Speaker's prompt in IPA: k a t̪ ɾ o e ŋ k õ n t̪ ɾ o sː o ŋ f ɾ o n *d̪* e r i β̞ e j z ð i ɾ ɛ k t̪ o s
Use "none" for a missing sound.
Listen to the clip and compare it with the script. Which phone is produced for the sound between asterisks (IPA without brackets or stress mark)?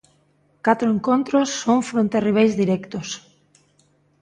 t̪